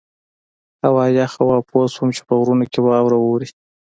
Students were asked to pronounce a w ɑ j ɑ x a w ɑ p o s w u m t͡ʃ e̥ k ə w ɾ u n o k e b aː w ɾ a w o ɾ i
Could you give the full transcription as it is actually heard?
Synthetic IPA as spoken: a w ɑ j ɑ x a w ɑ p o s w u m t͡ʃ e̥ p ə ɣ ɾ u n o k e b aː w ɾ a w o ɾ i